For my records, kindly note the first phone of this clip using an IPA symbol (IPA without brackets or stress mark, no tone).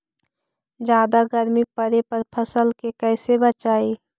d͡ʒ